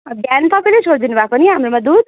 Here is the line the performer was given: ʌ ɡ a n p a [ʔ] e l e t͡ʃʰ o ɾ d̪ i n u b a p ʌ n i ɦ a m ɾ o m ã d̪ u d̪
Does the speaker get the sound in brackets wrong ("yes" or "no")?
yes